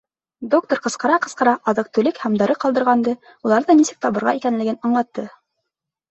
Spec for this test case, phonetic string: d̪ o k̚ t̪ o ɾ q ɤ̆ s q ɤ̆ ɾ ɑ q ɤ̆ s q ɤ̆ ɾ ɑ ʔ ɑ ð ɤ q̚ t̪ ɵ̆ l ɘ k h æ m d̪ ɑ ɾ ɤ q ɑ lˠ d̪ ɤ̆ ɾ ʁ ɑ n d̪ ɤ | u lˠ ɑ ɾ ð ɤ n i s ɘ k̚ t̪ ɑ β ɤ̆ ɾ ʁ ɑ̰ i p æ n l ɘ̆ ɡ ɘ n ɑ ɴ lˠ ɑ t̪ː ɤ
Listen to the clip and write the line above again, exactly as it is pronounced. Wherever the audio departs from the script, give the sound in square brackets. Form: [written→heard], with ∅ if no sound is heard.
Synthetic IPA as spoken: d̪ o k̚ t̪ o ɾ q ɤ̆ s q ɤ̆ ɾ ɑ q ɤ̆ s q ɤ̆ ɾ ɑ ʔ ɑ ð ɤ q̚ t̪ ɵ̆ l ɘ k h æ m d̪ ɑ ɾ ɤ q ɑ lˠ d̪ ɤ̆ ɾ ʁ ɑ n d̪ ɤ | u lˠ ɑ ɾ ð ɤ n i s ɘ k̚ t̪ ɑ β ɤ̆ ɾ ʁ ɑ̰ i [p→k] æ n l ɘ̆ ɡ ɘ n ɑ ɴ lˠ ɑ t̪ː ɤ